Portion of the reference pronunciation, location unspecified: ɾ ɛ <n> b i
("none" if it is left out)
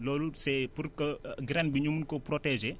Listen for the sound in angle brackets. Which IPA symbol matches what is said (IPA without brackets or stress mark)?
n